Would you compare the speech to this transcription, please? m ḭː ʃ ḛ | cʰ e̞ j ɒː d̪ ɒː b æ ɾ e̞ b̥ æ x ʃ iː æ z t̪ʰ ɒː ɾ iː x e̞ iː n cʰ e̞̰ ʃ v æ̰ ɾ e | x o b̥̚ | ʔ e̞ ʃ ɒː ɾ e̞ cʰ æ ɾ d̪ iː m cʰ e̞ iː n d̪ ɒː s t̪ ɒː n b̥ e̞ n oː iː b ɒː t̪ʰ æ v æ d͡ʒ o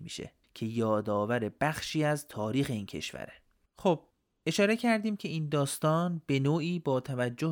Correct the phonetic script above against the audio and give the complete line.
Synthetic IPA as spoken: m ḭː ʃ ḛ | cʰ e̞ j ɒː d̪ ɒː v æ ɾ e̞ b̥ æ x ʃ iː æ z t̪ʰ ɒː ɾ iː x e̞ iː n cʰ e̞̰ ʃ v æ̰ ɾ e | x o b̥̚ | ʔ e̞ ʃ ɒː ɾ e̞ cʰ æ ɾ d̪ iː m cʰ e̞ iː n d̪ ɒː s t̪ ɒː n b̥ e̞ n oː iː b ɒː t̪ʰ æ v æ d͡ʒː o